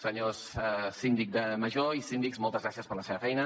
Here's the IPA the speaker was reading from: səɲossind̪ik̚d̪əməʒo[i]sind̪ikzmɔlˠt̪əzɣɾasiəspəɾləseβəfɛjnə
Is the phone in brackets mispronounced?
no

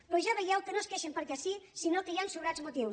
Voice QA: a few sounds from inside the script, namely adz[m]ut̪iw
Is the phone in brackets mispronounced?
no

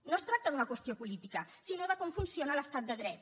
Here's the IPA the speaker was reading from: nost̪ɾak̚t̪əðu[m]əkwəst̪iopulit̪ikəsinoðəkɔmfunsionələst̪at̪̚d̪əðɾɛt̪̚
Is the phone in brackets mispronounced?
yes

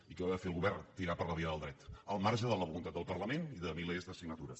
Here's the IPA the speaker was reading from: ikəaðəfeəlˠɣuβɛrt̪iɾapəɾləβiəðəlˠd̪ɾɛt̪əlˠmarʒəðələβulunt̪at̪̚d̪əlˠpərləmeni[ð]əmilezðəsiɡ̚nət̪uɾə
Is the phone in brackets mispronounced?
no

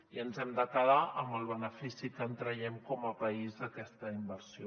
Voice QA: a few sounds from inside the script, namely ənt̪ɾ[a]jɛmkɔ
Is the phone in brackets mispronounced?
yes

